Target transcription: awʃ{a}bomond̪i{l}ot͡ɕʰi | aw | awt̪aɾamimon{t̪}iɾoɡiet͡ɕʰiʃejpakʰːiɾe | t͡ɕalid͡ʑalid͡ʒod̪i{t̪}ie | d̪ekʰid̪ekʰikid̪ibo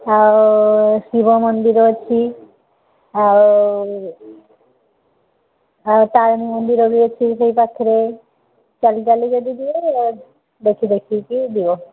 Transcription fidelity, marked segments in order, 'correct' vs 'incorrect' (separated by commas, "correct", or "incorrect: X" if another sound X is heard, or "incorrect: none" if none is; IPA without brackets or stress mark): incorrect: i, incorrect: ɾ, incorrect: d̪, incorrect: d̪